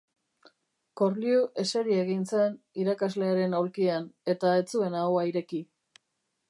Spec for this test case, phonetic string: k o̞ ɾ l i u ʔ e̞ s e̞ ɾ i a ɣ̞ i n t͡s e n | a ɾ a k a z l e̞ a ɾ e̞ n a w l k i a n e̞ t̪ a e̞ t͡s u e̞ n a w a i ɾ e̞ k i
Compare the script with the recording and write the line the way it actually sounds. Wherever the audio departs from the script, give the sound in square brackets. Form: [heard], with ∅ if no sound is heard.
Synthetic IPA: k o̞ ɾ l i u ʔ e̞ s e̞ ɾ i [e] ɣ̞ i n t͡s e n | [i] ɾ a k a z l e̞ a ɾ e̞ n a w l k i a n e̞ t̪ a e̞ t͡s u e̞ n a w a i ɾ e̞ k i